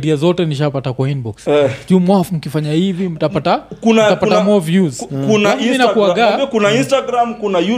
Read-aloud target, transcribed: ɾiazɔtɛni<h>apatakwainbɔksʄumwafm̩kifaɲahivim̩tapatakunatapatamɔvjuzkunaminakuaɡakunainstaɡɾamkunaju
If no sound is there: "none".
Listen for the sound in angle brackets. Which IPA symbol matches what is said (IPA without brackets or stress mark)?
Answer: ʃ